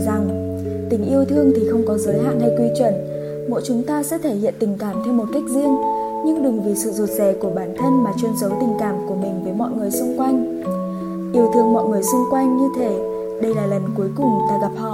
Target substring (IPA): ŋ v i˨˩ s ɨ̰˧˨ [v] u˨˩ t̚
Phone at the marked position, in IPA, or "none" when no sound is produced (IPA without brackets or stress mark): z